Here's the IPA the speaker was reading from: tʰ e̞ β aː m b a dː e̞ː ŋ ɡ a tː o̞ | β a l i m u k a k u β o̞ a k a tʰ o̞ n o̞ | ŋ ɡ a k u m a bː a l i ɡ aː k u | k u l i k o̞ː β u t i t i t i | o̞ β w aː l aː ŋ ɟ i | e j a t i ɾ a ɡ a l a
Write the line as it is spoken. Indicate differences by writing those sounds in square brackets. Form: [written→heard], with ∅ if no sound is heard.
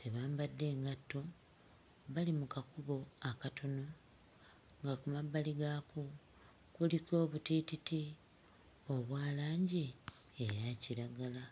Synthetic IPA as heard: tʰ e̞ β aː m b a dː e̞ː ŋ ɡ a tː o̞ | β a l i m u k a k u β o̞ a k a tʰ o̞ n o̞ | ŋ ɡ a k u m a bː a l i ɡ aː k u | k u l i k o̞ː β u t i t i t i | o̞ β w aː l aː [ŋ→ɲ] ɟ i | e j a [t→c] i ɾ a ɡ a l a